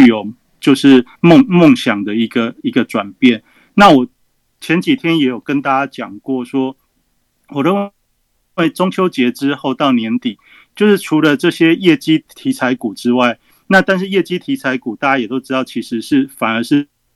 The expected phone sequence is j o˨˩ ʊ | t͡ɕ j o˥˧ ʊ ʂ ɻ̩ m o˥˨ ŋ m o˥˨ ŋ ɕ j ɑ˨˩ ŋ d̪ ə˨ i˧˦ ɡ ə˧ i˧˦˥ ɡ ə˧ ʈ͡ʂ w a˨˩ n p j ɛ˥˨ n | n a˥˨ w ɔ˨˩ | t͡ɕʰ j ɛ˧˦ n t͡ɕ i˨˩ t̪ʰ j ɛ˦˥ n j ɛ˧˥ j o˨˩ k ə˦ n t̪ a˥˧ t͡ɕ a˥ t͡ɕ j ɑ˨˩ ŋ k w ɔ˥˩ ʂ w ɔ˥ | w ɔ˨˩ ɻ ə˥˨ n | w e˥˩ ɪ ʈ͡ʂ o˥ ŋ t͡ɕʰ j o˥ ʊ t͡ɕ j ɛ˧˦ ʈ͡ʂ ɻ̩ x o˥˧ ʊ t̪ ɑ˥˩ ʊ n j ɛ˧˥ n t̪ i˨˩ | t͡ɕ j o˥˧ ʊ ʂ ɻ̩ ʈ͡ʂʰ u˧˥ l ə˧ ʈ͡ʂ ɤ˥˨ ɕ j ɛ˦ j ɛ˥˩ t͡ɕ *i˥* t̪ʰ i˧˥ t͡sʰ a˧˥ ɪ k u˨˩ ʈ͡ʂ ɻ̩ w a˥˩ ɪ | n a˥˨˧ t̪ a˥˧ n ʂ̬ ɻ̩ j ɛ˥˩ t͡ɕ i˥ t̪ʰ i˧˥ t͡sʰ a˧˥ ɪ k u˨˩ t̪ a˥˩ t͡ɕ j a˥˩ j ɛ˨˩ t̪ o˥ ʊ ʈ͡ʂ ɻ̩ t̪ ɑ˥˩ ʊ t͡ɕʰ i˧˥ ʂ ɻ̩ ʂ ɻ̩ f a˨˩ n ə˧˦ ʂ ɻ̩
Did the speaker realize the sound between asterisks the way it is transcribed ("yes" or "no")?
yes